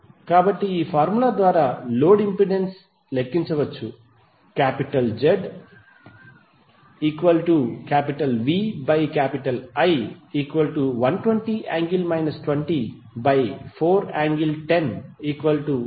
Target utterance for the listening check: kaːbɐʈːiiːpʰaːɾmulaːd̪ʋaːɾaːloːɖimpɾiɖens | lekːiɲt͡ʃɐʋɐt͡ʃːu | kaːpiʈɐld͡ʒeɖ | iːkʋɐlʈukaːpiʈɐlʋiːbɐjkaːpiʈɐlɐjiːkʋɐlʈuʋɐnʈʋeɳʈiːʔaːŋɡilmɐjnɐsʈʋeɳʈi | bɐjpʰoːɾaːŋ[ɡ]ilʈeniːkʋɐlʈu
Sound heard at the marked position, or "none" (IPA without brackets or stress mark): ɡ